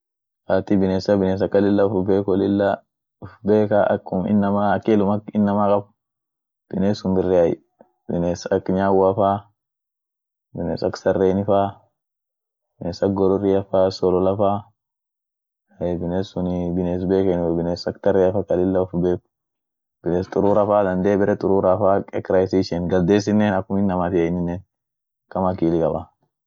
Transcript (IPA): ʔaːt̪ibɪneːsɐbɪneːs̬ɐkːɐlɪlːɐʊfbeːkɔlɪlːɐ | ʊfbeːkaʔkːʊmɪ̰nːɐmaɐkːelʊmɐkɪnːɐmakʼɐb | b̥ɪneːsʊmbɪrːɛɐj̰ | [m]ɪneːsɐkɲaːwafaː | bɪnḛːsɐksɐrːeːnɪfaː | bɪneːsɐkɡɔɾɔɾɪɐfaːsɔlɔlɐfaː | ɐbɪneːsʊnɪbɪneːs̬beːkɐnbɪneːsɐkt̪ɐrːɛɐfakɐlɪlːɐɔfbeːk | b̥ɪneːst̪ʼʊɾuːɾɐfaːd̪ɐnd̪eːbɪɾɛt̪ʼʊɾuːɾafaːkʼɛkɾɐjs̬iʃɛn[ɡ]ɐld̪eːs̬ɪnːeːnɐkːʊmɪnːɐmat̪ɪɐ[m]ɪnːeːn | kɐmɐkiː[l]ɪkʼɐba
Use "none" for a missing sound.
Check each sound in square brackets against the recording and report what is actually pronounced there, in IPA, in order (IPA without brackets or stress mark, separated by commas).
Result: b, ɡ, n, l